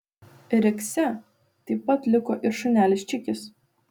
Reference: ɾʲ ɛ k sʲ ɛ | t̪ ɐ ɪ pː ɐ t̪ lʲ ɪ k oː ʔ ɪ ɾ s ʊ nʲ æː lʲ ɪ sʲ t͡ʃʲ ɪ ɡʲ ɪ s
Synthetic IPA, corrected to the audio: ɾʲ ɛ k sʲ ɛ | t̪ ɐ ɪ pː ɐ t̪ lʲ ɪ k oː ʔ ɪ ɾ ʃ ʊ nʲ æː lʲ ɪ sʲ t͡ʃʲ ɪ kʲ ɪ s

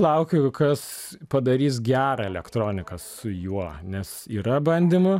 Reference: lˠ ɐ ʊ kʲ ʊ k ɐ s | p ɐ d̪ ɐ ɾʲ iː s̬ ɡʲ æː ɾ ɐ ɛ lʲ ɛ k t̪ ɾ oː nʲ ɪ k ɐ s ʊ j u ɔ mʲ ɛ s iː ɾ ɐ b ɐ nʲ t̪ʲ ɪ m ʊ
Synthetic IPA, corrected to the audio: lˠ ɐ ʊ kʲ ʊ k ɐ s | p ɐ d̪ ɐ ɾʲ iː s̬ ɡʲ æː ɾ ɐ ɛ lʲ ɛ k t̪ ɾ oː nʲ ɪ k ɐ s ʊ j u ɔ nʲ ɛ s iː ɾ ɐ b ɐ nʲ d̪ʲ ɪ m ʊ

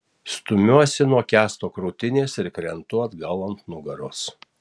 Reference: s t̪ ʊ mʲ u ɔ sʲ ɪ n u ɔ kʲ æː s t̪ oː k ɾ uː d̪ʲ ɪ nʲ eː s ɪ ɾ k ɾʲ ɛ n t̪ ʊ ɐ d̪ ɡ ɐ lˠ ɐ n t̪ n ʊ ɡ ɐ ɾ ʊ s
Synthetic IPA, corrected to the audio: s t̪ ʊ mʲ u ɔ sʲ ɪ n u ɔ kʲ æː s t̪ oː k ɾ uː t̪ʲ ɪ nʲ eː s ɪ ɾ k ɾʲ ɛ n t̪ ʊ ɐ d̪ ɡ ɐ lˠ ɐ n t̪ n ʊ ɡ ɐ ɾ ʊ s

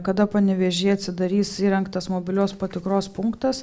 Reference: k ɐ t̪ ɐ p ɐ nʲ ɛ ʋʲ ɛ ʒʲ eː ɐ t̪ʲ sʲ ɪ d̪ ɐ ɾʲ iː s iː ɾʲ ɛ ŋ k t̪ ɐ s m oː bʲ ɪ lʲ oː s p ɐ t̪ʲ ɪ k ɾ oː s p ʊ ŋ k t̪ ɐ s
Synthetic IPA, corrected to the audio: k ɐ d̪ ɐ p ɐ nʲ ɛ ʋʲ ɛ ʒʲ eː ɐ t̪ʲ sʲ ɪ d̪ ɐ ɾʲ iː s iː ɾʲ ɛ ŋ k t̪ ɐ s m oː bʲ ɪ lʲ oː s p ɐ t̪ʲ ɪ k ɾ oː s p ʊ ŋ k t̪ ɐ s

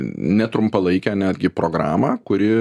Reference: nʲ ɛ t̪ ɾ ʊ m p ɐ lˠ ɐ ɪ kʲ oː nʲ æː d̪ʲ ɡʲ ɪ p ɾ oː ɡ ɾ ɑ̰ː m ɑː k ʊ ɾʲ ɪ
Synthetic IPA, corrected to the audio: nʲ ɛ t̪ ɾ ʊ m p ɐ lˠ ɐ ɪ kʲ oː nʲ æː d̪ʲ ɡʲ ɪ p ɾ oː ɡ ɾ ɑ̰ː m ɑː k ʊ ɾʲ ɪ

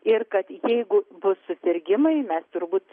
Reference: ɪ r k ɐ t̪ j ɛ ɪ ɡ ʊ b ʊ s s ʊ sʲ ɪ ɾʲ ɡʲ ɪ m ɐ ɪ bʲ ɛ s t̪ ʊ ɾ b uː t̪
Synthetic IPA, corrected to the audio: ɪ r k ɐ t̪ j ɛ ɪ ɡ ʊ b ʊ s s ʊ sʲ ɪ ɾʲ ɡʲ ɪ m ɐ ɪ mʲ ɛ s t̪ ʊ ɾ b uː t̪

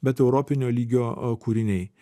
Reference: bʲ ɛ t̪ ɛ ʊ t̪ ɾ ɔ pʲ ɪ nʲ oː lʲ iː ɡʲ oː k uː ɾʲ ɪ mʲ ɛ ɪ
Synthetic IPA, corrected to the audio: bʲ ɛ t̪ ɛ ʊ ɾ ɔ pʲ ɪ nʲ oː lʲ iː ɡʲ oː k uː ɾʲ ɪ nʲ ɛ ɪ

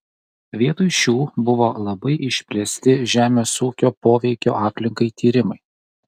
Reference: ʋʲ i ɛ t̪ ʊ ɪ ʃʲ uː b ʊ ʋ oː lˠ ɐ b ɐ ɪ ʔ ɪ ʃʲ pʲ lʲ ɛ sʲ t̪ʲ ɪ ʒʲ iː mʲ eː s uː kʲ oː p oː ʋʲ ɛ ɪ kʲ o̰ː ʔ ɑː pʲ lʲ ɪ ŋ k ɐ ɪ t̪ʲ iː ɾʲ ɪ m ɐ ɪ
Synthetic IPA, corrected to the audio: ʋʲ i ɛ t̪ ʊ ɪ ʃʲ uː b ʊ ʋ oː lˠ ɐ b ɐ ɪ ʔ ɪ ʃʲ pʲ lʲ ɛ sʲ t̪ʲ ɪ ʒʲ æː mʲ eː s uː kʲ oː p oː ʋʲ ɛ ɪ kʲ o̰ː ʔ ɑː pʲ lʲ ɪ ŋ k ɐ ɪ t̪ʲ iː ɾʲ ɪ m ɐ ɪ

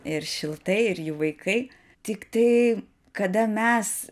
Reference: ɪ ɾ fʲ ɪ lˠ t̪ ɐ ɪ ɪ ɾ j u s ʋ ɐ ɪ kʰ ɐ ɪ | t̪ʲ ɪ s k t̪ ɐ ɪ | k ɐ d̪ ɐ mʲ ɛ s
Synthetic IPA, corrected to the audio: ɪ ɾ ʃʲ ɪ lˠ t̪ ɐ ɪ ɪ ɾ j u ʋ ɐ ɪ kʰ ɐ ɪ | t̪ʲ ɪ k t̪ ɐ ɪ | k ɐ d̪ ɐ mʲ ɛ s

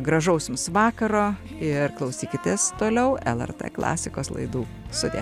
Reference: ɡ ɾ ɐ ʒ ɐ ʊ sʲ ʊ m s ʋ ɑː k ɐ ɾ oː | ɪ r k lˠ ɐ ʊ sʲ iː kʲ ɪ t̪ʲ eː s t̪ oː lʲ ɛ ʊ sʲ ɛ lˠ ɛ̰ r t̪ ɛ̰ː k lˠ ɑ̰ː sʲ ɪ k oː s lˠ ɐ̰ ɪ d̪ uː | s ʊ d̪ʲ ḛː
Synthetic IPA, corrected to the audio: ɡ ɾ ɐ ʒ ɐ ʊ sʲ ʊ m s ʋ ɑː k ɐ ɾ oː | ɪ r k lˠ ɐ ʊ sʲ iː kʲ ɪ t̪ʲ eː s t̪ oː lʲ ɛ ʊ ɛ lˠ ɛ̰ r t̪ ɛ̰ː k lˠ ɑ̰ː sʲ ɪ k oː s lˠ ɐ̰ ɪ d̪ uː | s ʊ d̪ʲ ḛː

